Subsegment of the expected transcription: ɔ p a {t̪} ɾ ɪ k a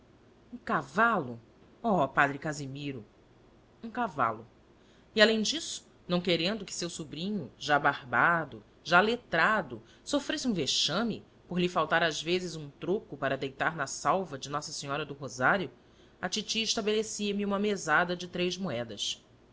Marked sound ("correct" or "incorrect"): incorrect